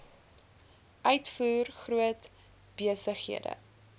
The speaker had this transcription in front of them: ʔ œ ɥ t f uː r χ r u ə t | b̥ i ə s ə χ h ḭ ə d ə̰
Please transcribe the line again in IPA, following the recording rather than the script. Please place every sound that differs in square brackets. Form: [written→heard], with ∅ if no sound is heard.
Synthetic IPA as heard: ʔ œ ɥ t f uː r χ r u ə t | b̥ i ə s ə χ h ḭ ə d ə̰